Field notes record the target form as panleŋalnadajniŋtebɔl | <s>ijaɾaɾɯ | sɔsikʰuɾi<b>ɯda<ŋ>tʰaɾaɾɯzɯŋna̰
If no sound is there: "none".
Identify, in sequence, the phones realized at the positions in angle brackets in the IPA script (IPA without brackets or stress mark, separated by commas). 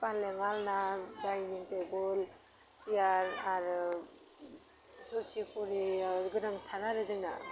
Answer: s, ɡ, ŋ